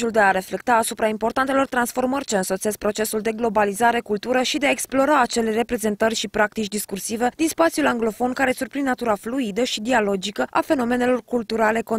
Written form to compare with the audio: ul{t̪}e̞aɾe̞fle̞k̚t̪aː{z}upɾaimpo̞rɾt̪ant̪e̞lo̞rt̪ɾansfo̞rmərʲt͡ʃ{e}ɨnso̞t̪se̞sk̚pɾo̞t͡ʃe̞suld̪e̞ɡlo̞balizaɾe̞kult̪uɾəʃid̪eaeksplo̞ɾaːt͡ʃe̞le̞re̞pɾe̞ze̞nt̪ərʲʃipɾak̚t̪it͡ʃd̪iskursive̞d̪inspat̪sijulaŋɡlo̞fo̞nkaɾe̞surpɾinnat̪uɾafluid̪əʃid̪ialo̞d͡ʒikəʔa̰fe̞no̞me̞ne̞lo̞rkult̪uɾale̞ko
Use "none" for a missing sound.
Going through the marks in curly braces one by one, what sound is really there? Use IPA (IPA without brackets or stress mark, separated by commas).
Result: d̪, s, e